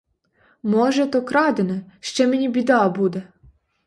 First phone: m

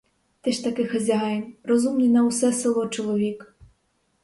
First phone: t̪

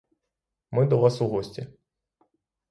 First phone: m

